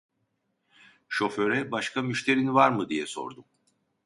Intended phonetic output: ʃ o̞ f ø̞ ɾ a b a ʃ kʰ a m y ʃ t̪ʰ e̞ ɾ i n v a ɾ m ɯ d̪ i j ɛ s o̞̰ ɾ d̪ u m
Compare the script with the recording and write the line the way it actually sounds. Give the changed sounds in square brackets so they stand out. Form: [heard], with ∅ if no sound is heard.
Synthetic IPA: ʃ o̞ f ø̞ ɾ [ɛ] b a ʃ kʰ a m y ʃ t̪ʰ e̞ ɾ i n v a ɾ m ɯ d̪ i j ɛ s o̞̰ ɾ d̪ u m

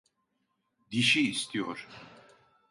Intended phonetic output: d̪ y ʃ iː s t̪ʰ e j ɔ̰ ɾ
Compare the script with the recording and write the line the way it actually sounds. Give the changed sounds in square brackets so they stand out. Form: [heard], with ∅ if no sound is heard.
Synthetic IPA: d̪ [i] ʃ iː s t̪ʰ [i] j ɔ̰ ɾ

